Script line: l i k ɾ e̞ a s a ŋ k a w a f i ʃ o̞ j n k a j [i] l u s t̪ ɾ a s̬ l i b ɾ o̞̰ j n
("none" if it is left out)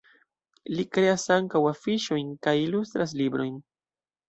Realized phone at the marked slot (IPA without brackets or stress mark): i